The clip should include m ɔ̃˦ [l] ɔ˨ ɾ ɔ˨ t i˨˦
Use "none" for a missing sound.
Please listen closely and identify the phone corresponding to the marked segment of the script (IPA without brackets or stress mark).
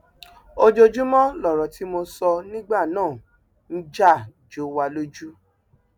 l